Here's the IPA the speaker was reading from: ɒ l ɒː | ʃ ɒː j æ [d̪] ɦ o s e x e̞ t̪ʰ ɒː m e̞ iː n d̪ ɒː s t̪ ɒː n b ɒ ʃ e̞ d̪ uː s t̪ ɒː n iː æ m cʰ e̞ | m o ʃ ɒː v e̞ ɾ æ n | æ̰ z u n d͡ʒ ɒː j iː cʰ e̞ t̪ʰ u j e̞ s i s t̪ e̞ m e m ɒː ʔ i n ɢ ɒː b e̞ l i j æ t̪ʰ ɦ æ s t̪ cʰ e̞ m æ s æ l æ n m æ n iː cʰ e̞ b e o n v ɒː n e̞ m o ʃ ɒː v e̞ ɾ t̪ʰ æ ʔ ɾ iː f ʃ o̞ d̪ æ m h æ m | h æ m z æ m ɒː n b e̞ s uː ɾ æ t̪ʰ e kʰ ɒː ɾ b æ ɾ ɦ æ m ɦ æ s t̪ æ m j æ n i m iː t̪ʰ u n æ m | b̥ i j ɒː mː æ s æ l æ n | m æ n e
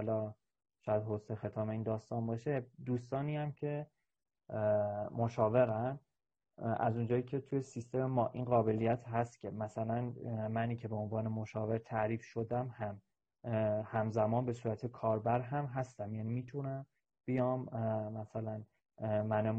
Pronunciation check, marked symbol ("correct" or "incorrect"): correct